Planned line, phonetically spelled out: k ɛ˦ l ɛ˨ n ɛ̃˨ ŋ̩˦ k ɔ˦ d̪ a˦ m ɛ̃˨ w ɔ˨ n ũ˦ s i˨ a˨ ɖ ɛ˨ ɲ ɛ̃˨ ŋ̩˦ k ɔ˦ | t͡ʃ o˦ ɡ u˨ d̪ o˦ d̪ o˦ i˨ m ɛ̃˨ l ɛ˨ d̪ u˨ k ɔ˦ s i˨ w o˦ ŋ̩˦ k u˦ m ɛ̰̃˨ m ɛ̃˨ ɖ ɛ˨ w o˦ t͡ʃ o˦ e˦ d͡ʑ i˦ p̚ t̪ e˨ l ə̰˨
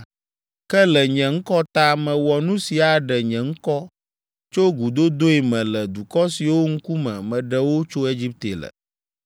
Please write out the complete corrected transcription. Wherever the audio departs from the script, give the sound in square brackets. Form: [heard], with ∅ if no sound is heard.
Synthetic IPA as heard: k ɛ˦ l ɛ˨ [ɲ] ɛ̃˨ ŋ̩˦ k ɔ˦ [t̪] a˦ m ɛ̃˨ w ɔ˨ n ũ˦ s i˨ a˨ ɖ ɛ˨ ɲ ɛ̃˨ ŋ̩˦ k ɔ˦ | t͡ʃ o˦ ɡ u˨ d̪ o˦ d̪ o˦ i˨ m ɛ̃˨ l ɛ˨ d̪ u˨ k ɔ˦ s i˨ w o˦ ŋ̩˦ k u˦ m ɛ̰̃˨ m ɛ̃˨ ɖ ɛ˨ w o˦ t͡ʃ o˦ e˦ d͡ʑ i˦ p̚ t̪ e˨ l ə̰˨

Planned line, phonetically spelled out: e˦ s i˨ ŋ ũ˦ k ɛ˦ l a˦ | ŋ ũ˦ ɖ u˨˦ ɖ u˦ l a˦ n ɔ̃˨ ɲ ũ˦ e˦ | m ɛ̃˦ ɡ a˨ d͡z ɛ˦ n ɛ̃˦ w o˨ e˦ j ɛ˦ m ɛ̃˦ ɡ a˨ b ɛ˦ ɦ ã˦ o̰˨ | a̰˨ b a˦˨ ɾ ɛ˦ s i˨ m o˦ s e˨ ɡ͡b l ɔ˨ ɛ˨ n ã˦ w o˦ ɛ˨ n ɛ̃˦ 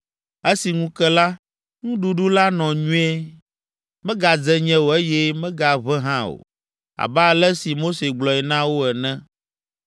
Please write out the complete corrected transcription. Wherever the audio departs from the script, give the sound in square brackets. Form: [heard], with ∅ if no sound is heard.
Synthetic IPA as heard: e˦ s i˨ ŋ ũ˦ k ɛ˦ l a˦ | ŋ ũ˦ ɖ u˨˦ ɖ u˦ l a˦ n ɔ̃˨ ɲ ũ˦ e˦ | m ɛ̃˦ ɡ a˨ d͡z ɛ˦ [ɲ] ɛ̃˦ w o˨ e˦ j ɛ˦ m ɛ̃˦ ɡ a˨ [β] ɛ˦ ɦ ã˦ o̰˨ | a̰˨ b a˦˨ [l] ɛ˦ s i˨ m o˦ s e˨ ɡ͡b l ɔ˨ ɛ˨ n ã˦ w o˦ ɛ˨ n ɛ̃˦

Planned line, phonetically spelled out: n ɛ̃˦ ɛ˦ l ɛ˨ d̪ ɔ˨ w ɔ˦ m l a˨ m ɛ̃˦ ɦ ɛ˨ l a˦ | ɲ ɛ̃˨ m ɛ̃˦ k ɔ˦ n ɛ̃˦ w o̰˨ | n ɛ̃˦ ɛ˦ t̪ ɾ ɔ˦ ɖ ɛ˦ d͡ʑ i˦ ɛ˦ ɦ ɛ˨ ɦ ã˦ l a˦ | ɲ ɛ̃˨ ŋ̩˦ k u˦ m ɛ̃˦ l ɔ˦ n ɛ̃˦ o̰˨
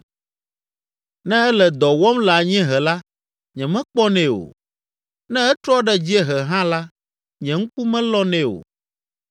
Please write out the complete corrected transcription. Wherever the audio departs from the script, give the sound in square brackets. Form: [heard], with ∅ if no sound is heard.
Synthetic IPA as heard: n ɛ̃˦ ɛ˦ l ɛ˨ d̪ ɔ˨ w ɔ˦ m l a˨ [ɲ] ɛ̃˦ ɦ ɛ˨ l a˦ | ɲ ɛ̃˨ m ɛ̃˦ [k͡p] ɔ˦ n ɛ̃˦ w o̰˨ | n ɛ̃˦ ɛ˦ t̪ ɾ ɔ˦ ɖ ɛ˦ d͡ʑ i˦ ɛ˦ ɦ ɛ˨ ɦ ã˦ l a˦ | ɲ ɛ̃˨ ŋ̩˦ k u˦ m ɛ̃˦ l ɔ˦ n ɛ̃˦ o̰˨

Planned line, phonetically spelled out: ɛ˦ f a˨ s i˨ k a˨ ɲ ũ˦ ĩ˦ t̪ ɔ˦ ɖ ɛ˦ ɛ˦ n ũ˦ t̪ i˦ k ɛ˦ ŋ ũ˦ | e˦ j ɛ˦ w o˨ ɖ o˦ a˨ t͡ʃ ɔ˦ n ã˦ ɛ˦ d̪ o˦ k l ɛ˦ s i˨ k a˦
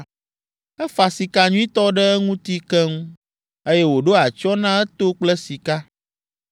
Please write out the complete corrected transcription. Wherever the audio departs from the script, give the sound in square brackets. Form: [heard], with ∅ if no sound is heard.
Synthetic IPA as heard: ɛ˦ f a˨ s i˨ k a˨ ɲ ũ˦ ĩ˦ t̪ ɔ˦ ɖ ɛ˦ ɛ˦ [ŋ] ũ˦ t̪ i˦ k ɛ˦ ŋ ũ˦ | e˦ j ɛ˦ w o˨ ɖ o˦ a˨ t͡ʃ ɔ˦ n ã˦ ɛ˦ [t̪] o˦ [k͡p] l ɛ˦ s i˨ k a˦

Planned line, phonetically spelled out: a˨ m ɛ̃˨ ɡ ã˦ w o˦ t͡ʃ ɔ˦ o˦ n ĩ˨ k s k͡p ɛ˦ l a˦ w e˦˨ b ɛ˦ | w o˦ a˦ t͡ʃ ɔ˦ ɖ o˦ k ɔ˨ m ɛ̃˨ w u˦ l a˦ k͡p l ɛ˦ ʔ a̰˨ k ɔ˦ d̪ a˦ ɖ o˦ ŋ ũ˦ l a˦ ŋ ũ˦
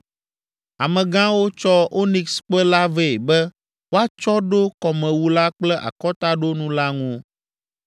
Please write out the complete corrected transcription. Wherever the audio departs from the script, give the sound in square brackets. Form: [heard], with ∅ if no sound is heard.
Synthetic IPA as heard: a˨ m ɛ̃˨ ɡ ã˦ w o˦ t͡ʃ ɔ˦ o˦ n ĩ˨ k s k͡p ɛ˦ l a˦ [v] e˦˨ b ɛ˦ | w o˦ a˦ t͡ʃ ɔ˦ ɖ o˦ k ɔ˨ m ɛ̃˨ w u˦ l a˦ k͡p l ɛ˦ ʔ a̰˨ k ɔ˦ [t̪] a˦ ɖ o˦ [n] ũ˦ l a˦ ŋ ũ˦

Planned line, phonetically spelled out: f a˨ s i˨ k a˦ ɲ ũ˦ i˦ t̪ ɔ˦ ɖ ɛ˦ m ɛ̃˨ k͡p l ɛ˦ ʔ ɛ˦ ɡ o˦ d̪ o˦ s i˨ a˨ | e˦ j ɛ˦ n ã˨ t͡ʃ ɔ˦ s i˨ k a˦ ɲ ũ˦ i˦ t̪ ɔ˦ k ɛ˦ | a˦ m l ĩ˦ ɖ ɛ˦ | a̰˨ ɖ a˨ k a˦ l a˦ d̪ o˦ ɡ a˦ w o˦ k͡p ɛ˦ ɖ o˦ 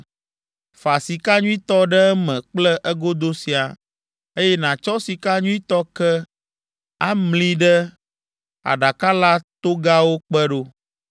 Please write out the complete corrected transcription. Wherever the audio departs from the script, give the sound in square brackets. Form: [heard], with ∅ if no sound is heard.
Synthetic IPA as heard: f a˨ s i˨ k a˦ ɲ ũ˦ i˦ t̪ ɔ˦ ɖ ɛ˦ m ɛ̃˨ k͡p l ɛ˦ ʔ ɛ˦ ɡ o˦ d̪ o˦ s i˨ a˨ | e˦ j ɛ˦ n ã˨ t͡ʃ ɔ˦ s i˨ k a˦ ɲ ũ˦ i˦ t̪ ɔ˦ k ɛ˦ | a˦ m l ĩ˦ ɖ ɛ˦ | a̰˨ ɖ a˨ k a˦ l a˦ [t̪] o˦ ɡ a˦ w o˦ k͡p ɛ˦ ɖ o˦

